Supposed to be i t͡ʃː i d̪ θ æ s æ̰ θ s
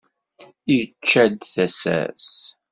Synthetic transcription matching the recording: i t͡ʃː æ d̪ θ æ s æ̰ s